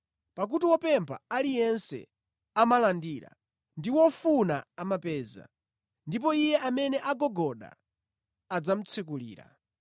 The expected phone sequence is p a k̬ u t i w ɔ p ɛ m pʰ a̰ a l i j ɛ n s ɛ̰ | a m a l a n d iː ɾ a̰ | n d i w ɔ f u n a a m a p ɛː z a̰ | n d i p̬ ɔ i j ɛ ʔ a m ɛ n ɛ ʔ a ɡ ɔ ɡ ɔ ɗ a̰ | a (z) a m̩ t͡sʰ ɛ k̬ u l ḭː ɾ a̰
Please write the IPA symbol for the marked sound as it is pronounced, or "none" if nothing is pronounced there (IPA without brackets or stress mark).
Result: d͡z